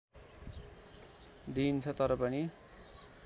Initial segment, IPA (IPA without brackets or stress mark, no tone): d̪